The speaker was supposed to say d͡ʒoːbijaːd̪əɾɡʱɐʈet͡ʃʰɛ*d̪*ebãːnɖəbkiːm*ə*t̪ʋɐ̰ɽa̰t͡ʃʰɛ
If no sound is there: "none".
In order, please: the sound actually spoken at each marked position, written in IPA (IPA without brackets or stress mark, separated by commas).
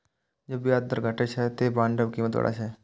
t̪, ə